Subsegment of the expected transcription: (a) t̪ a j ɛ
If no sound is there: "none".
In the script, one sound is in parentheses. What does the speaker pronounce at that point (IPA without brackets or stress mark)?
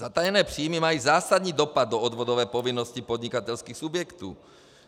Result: a